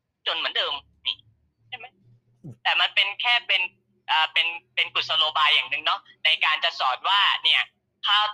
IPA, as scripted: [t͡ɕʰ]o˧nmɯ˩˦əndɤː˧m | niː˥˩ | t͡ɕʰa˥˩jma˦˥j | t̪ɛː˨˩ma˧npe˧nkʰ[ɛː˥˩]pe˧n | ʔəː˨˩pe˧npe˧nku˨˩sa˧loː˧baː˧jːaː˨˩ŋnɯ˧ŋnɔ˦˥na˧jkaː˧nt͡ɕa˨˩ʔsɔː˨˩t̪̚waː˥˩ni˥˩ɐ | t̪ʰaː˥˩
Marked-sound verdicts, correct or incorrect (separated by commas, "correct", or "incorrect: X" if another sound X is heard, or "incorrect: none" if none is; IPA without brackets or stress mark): incorrect: t͡ɕ, correct